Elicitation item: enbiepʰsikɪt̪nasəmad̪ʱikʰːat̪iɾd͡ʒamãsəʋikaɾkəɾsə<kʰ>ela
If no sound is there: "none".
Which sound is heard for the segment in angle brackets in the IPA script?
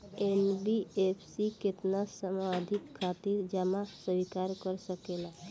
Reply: k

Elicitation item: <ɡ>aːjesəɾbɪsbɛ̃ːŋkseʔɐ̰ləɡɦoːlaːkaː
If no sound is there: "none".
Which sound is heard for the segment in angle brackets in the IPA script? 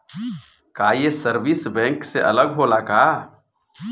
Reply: k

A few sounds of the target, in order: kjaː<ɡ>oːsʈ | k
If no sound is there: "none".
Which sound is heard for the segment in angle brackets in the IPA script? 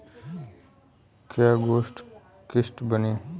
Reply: ɡ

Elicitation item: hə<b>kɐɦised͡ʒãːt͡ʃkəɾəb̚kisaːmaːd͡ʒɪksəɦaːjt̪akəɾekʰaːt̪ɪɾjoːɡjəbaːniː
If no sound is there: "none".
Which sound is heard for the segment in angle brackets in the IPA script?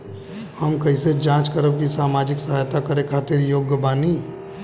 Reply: m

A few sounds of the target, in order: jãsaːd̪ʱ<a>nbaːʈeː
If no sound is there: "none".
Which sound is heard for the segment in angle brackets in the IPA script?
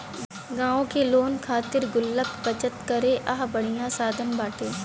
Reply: ə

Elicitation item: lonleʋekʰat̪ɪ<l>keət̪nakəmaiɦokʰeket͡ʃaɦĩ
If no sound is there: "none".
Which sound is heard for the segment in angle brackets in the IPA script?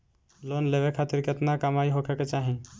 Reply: ɾ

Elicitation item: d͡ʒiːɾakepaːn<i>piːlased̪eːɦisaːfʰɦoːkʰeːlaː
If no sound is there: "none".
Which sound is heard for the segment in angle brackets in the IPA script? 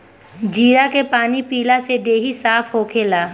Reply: i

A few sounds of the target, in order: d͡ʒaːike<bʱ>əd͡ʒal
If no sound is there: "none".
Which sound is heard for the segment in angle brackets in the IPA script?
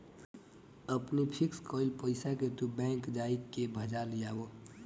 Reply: bʱ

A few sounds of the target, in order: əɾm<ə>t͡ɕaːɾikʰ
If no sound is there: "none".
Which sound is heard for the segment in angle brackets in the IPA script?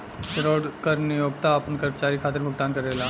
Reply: ə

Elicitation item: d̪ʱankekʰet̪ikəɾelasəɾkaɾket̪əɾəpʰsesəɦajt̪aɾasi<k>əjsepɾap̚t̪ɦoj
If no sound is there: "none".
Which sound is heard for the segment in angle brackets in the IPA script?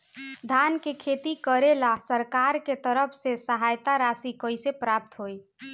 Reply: k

